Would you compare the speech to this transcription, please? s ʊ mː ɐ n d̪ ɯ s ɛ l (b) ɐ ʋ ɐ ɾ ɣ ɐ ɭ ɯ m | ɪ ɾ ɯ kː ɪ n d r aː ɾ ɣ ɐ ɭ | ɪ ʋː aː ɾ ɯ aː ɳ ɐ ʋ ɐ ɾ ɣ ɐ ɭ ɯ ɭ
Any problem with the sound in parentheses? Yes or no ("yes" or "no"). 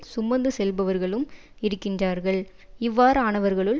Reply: no